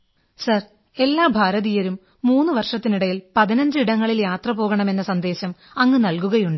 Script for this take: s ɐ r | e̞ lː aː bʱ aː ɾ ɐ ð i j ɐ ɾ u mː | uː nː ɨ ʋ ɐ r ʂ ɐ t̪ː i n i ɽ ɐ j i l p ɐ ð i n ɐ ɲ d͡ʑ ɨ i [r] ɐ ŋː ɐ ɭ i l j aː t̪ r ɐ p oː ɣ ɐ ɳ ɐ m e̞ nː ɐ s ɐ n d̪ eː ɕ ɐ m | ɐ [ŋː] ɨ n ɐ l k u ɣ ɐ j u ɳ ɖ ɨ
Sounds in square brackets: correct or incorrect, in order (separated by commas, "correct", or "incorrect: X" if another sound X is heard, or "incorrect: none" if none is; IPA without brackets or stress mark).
incorrect: ɽ, correct